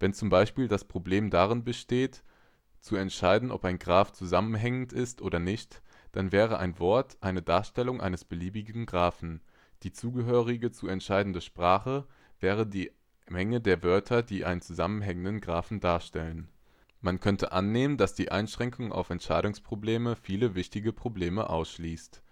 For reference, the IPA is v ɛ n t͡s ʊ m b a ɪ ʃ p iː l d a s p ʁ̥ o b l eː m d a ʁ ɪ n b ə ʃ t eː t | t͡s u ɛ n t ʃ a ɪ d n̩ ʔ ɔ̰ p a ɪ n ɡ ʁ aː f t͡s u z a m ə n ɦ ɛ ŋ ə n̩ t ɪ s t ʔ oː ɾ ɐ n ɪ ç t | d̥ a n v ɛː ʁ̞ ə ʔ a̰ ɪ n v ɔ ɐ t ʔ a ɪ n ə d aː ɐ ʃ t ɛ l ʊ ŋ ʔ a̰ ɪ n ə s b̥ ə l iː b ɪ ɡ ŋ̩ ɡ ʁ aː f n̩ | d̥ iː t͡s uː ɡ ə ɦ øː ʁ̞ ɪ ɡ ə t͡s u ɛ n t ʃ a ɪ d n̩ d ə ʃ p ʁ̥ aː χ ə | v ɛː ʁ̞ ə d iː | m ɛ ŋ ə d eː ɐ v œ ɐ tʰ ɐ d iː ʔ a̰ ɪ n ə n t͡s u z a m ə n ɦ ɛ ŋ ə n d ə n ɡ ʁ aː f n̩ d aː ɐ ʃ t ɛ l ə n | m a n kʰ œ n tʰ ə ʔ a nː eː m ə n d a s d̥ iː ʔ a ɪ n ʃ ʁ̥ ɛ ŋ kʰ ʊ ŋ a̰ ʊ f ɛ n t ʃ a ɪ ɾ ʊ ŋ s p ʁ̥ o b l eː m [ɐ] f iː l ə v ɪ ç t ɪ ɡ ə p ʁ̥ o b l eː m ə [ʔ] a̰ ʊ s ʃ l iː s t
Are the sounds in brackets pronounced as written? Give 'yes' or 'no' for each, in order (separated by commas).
no, yes